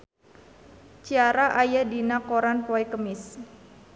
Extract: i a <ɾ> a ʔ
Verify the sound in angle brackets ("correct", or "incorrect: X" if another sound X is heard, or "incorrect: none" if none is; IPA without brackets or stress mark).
correct